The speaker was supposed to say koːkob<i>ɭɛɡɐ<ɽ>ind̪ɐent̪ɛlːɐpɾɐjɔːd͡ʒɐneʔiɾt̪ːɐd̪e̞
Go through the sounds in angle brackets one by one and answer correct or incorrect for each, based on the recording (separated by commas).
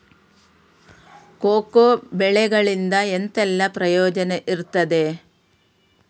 incorrect, incorrect